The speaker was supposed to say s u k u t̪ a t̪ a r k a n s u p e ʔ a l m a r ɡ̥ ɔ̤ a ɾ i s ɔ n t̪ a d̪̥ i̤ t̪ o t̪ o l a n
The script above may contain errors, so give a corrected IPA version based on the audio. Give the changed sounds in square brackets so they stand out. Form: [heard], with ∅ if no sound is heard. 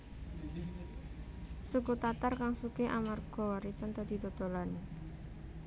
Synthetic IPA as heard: s u k u t̪ a t̪ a r k a [ŋ] s u [k] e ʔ a [∅] m a r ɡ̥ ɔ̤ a ɾ i s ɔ n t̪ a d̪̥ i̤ t̪ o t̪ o l a n